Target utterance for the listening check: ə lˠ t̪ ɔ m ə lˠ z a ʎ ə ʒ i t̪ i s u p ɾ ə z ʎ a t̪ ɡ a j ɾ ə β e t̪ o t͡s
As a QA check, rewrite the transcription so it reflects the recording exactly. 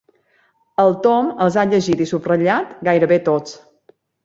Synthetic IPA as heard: ə lˠ t̪ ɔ m ə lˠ z a ʎ ə ʒ i t̪ i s u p r ə ʎ a t̪ ɡ a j ɾ ə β e t̪ o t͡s